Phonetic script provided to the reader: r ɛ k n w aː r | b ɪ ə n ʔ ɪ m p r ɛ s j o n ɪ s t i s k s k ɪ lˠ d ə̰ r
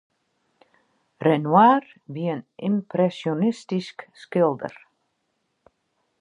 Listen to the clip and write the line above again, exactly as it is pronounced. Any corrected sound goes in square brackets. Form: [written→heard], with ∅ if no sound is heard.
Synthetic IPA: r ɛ [k→∅] n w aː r | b [ɪ→i] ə n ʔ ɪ m p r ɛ s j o n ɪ s t i s k s k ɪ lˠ d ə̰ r